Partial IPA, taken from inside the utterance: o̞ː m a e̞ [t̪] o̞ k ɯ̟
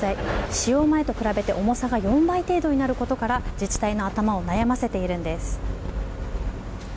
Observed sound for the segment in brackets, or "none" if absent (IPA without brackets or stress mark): t̪